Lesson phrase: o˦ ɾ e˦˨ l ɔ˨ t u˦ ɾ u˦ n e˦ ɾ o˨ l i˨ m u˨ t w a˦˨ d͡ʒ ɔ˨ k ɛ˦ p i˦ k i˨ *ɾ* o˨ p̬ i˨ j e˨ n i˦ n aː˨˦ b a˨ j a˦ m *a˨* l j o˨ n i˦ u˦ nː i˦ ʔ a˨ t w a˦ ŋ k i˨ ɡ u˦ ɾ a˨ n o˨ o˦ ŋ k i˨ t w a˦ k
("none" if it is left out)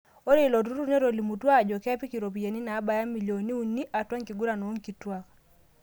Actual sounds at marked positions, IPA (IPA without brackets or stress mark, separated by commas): ɾ, i˨